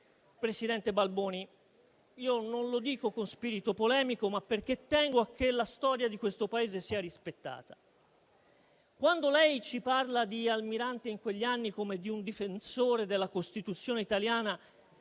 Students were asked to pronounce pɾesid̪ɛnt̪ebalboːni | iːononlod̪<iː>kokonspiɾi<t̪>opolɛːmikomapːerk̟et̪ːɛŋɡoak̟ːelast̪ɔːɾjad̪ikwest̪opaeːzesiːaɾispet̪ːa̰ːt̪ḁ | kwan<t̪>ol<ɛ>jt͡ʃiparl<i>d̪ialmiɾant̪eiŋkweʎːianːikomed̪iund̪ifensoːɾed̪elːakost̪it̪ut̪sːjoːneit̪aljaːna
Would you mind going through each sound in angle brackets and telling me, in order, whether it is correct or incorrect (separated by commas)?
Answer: correct, correct, incorrect, correct, incorrect